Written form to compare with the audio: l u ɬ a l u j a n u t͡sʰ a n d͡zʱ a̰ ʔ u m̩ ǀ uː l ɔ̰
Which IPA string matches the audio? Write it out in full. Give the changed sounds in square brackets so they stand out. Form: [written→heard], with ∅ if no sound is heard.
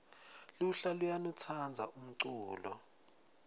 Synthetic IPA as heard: l u ɬ a l u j a n u t͡sʰ a n d͡zʱ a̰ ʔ u m̩ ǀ uː l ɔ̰